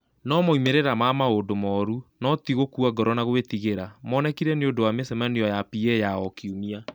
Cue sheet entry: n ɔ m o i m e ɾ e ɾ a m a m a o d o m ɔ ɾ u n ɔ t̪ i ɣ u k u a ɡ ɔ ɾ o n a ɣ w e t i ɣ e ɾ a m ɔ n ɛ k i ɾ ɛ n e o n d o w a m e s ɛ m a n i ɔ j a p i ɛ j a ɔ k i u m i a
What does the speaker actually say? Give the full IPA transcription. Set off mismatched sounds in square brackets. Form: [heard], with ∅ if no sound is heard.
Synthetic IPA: n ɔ m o i m e ɾ e ɾ a m a m a o d o m ɔ ɾ u n ɔ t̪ i ɣ [o] k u a ɡ ɔ ɾ [ɔ] n a ɣ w e t i ɣ e ɾ a m ɔ n ɛ k i ɾ ɛ n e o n d o w a m e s ɛ m a n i ɔ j a p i ɛ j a ɔ k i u m i a